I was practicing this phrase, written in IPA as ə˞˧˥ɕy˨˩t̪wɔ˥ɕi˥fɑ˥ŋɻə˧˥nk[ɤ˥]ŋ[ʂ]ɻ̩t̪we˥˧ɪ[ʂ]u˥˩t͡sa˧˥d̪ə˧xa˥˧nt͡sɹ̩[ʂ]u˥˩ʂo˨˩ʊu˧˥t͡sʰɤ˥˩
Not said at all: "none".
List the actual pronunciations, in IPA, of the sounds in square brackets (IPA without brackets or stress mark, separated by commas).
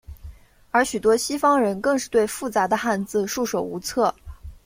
ɤ˥˧, ʂ, f, ʂ